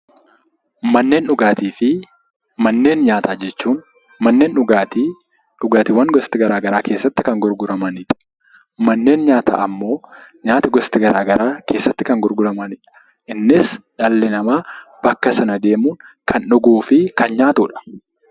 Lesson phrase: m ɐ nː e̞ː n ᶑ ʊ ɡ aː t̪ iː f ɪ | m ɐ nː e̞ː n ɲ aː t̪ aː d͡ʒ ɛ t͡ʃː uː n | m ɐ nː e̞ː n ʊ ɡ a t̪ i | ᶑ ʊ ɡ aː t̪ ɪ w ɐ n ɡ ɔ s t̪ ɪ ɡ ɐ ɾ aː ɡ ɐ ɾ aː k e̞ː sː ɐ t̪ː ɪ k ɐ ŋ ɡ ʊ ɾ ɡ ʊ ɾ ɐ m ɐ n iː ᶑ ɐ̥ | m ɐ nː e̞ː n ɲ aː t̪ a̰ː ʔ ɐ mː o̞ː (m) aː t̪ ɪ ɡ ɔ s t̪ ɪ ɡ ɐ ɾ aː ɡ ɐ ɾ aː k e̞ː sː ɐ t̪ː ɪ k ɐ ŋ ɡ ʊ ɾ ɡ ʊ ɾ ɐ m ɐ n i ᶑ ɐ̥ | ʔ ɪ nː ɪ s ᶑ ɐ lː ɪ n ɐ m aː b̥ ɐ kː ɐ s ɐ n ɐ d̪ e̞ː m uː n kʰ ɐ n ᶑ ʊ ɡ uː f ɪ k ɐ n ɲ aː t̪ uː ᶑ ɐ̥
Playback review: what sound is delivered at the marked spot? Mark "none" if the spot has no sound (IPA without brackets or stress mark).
ɲ